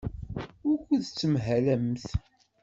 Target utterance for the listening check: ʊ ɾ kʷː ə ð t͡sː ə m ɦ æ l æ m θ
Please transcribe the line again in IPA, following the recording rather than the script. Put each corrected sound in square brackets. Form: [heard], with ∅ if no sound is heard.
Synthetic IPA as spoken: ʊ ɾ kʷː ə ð t͡sː ə m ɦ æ l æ m θ